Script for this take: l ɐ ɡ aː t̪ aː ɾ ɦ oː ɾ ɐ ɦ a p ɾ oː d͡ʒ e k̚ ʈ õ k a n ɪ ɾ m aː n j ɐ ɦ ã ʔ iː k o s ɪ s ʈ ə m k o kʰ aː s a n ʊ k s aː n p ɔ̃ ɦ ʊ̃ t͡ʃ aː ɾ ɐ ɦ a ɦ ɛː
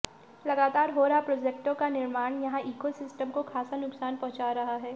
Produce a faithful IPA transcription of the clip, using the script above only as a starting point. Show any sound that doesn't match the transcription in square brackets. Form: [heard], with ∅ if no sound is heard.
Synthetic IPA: l ɐ ɡ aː t̪ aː ɾ ɦ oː ɾ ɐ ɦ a p ɾ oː d͡ʒ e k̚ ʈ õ k a n ɪ ɾ m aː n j ɐ ɦ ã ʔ iː k o s ɪ s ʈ ə m k o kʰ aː s a n ʊ k s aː n p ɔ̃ ɦ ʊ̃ t͡ʃ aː ɾ ɐ ɦ a ɦ ɛː